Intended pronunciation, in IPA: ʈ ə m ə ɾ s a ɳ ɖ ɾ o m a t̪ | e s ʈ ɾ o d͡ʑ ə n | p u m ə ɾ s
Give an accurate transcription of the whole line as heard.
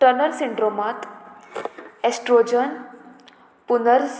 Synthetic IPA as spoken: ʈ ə n ə ɾ s i ɳ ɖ ɾ o m a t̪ | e s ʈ ɾ o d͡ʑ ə n | p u n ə ɾ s